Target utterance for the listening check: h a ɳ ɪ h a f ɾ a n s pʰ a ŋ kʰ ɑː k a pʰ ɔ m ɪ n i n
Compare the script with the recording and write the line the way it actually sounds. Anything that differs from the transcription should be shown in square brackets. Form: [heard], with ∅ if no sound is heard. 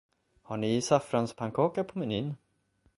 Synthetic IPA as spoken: h a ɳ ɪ [s] a f ɾ a n s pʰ a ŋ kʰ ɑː k a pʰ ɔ m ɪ n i n